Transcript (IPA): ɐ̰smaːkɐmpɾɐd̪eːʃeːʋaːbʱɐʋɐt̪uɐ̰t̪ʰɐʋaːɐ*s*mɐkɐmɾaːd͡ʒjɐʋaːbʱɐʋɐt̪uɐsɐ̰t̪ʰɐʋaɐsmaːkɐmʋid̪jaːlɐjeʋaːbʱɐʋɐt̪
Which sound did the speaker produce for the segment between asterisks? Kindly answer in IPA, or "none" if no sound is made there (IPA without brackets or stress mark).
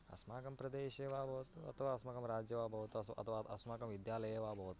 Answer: s